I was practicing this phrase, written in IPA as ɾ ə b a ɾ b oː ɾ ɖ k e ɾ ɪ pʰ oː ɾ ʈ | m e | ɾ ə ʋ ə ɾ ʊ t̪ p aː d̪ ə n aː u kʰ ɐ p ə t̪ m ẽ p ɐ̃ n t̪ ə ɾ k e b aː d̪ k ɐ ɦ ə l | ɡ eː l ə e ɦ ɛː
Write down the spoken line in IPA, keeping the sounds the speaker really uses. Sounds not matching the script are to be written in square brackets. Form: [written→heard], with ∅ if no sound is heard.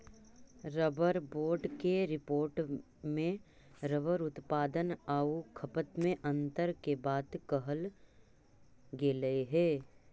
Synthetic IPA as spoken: ɾ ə b [a→ə] ɾ b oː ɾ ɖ k e ɾ ɪ [pʰ→p] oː ɾ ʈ | m [e→ẽ] | ɾ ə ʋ ə ɾ ʊ t̪ p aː d̪ ə n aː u kʰ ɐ p ə t̪ m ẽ [p→ʔ] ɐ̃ n t̪ ə ɾ k e b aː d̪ k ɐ ɦ ə l | ɡ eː l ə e ɦ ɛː